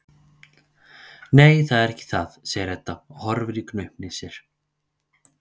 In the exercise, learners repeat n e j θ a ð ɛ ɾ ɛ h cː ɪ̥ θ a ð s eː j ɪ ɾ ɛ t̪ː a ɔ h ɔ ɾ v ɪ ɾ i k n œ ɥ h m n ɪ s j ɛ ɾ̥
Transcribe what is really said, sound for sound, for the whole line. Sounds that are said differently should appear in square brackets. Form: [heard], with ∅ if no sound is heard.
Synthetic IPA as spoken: n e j θ a ð ɛ ɾ ɛ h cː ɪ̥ θ a ð s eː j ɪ ɾ ɛ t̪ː a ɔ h ɔ ɾ v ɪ ɾ i k n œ ɥ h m n ɪ s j ɛ ɾ̥